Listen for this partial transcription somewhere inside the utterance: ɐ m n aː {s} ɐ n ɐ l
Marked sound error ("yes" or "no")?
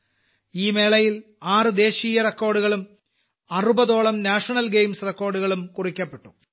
yes